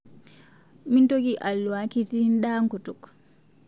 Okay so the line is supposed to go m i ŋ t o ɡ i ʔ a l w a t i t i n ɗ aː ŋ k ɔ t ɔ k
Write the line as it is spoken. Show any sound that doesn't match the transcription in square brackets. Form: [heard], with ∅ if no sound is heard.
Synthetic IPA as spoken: m i [n] t o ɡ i ʔ a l w a [k] i t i n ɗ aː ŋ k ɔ t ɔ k